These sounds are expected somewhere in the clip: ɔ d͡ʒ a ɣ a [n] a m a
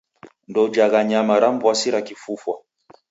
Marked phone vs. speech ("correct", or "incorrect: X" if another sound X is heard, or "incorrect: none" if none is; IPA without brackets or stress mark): incorrect: ɲ